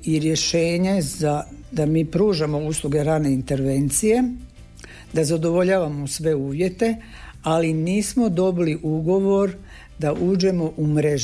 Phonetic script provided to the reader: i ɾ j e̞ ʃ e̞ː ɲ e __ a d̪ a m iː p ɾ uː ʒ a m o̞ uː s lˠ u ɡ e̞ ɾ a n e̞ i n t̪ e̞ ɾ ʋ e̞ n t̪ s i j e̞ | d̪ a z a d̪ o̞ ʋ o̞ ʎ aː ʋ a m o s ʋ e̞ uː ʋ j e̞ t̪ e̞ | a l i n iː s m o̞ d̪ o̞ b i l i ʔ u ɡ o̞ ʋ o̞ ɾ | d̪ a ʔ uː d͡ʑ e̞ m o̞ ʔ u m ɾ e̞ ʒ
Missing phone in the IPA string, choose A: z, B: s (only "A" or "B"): A